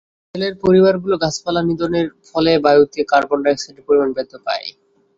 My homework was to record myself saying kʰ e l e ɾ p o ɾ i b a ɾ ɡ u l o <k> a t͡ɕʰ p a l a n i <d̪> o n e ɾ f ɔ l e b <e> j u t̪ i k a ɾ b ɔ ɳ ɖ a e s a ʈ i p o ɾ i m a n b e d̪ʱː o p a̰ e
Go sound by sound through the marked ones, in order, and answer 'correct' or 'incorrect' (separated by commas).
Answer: incorrect, correct, incorrect